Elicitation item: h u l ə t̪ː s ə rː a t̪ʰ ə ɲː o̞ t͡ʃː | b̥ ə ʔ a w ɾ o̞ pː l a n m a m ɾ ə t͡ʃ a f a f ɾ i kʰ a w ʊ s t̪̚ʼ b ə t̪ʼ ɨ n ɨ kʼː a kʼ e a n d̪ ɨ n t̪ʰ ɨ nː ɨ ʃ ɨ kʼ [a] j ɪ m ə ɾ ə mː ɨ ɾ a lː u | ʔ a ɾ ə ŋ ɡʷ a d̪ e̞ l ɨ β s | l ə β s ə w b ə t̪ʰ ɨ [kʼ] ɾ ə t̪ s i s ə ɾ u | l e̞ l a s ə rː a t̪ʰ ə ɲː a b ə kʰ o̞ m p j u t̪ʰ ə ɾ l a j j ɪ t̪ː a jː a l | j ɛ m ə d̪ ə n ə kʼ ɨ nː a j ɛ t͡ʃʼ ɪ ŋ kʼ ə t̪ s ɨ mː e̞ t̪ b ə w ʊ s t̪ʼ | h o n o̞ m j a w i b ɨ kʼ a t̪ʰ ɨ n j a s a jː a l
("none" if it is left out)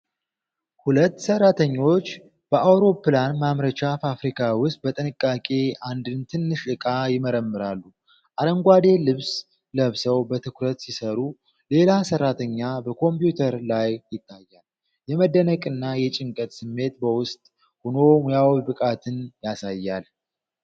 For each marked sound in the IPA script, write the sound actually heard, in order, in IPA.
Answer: a, k

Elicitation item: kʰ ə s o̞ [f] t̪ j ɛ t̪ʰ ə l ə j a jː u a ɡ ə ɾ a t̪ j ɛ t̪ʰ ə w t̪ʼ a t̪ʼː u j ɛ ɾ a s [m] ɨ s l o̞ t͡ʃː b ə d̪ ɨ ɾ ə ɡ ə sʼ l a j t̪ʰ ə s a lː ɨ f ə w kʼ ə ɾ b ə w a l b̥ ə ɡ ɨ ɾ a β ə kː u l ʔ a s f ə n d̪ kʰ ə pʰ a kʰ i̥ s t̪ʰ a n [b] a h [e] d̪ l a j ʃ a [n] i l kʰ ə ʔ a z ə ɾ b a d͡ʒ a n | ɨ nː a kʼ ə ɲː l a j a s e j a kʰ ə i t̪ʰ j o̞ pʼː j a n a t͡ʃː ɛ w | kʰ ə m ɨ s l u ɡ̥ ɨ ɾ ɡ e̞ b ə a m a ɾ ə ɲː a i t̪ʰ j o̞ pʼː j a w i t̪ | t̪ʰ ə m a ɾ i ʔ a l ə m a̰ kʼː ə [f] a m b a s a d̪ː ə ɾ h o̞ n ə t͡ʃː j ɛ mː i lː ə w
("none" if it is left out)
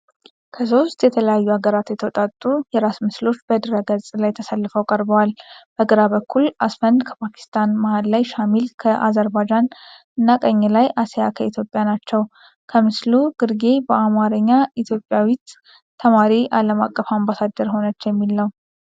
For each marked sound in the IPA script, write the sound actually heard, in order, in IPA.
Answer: s, m, m, a, m, f

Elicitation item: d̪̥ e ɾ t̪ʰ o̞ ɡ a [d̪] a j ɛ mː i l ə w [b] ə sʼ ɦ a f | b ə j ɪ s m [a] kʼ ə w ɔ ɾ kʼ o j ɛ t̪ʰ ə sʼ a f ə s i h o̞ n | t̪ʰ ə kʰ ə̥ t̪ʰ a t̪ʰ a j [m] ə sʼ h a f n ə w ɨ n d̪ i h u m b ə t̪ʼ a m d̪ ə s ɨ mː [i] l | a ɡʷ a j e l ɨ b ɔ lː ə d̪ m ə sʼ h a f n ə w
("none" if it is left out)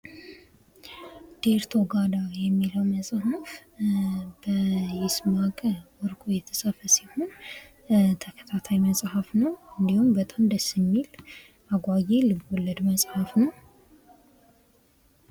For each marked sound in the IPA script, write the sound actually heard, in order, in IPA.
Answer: d̪, m, a, m, i

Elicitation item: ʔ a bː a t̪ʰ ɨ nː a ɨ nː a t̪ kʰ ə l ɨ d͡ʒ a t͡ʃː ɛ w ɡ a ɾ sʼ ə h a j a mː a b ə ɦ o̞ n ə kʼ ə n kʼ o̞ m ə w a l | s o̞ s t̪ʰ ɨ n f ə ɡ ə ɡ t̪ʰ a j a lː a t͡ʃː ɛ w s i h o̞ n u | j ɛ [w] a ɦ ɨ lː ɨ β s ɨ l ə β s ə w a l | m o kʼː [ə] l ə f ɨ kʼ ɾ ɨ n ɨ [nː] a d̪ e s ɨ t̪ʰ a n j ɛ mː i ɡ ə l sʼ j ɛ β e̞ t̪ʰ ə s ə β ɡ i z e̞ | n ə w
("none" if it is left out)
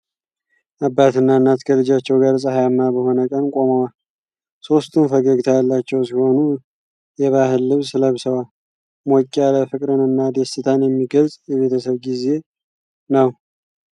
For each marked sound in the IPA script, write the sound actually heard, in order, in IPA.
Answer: β, a, nː

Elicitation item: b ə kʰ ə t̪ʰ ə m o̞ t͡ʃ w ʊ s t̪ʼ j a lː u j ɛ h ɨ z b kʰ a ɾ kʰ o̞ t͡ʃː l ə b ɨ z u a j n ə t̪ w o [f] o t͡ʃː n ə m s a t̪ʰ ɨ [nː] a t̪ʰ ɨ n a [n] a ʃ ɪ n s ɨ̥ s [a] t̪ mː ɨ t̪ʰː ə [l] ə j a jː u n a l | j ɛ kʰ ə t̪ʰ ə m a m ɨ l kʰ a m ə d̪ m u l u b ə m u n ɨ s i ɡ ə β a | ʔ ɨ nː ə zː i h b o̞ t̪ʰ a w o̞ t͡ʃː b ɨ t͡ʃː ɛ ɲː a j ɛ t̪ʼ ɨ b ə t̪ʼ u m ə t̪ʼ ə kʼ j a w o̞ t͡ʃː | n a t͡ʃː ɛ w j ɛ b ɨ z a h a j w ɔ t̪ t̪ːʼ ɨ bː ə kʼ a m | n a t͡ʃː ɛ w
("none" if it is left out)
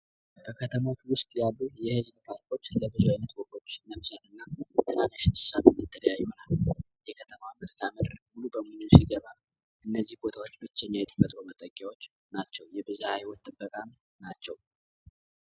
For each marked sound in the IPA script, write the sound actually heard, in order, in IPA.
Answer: f, nː, n, a, l

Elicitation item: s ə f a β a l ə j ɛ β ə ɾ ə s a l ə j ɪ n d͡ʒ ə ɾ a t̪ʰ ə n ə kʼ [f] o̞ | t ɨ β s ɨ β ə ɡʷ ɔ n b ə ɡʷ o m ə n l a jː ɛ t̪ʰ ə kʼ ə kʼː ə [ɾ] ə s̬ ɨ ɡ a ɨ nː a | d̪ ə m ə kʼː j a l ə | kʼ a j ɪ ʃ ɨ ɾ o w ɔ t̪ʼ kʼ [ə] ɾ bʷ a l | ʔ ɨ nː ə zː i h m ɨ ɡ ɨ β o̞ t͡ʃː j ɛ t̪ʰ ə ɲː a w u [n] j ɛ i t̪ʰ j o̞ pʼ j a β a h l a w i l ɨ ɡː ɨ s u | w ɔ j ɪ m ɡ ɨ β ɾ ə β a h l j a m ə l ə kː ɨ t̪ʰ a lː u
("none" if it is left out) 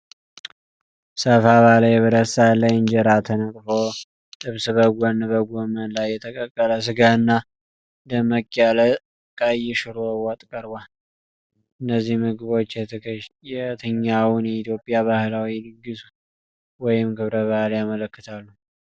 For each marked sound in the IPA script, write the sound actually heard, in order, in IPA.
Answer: f, l, ə, n

